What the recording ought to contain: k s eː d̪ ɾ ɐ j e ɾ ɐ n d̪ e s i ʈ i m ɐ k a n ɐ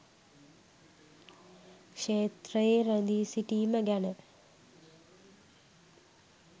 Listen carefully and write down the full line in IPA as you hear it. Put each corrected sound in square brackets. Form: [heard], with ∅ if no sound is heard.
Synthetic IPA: k [ʂ] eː [t̪] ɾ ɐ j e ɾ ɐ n d̪ [i] s i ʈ i m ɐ [ɡ] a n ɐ